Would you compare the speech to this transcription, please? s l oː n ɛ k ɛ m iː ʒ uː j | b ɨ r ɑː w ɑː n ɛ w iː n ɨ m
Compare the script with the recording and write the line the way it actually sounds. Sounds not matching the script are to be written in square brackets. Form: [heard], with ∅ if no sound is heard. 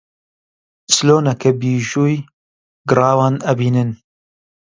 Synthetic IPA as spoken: s l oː n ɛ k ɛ [b] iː ʒ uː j | [ɡ] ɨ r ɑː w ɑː n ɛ [b] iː n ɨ [n]